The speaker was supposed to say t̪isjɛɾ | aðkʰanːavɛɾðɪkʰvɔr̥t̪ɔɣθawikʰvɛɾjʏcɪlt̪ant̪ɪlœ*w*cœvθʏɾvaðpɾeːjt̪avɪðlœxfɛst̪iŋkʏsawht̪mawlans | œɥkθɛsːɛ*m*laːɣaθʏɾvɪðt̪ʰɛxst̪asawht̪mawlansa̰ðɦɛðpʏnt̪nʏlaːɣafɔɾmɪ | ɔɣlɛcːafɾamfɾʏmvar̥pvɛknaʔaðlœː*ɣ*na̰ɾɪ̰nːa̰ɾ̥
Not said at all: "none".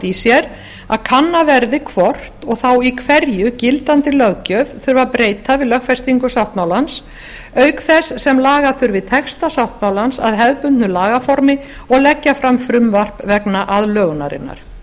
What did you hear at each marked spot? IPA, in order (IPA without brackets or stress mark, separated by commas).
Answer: ɣ, m, ɣ